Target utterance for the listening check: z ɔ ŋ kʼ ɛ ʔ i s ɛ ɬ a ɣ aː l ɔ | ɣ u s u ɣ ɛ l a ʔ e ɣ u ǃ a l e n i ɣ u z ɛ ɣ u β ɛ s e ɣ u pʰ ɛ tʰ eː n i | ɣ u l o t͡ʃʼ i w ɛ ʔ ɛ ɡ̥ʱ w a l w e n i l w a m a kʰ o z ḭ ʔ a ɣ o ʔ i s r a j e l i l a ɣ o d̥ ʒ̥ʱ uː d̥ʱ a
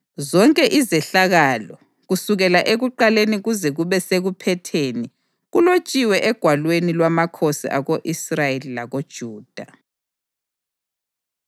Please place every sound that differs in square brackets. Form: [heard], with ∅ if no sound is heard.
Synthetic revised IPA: z ɔ ŋ kʼ ɛ ʔ i [z] ɛ ɬ a ɣ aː l ɔ | ɣ u s u ɣ ɛ l a ʔ e ɣ u ǃ a l e n i ɣ u z ɛ ɣ u β ɛ s e ɣ u pʰ ɛ tʰ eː n i | ɣ u l o t͡ʃʼ i w ɛ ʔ ɛ ɡ̥ʱ w a l w e n i l w a m a kʰ o [s] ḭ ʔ a ɣ o ʔ i s r a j e l i l a ɣ o d̥ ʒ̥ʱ uː d̥ʱ a